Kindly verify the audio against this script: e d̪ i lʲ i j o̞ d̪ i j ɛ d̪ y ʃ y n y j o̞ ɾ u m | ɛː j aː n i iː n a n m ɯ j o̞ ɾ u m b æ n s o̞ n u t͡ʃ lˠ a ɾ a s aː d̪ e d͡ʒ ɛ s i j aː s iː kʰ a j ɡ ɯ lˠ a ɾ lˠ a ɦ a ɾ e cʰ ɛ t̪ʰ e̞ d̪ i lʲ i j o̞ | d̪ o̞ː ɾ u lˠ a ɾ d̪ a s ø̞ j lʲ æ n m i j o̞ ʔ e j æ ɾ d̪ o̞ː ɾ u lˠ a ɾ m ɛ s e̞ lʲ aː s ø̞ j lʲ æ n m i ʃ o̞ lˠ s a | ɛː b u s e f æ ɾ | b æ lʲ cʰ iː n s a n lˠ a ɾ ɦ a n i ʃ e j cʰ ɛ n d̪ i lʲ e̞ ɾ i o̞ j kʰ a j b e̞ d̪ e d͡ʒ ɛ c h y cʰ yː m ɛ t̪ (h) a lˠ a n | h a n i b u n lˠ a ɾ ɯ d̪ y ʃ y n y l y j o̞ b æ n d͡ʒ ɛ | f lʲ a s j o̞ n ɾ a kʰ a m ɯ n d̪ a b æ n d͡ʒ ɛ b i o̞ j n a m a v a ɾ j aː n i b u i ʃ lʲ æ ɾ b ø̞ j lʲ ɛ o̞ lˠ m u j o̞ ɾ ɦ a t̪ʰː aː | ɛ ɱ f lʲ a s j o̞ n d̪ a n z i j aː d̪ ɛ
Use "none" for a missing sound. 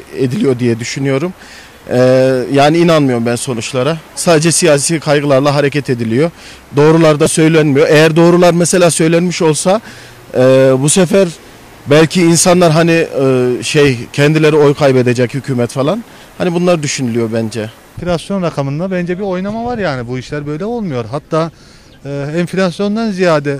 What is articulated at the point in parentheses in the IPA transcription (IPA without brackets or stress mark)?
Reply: f